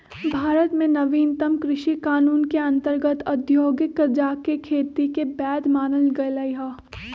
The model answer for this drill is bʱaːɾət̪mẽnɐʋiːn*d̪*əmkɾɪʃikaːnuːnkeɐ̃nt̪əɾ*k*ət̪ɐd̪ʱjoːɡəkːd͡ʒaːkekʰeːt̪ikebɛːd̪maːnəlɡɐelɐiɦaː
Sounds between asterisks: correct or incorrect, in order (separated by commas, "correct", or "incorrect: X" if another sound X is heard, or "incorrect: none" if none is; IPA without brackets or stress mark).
incorrect: t̪, incorrect: ɡ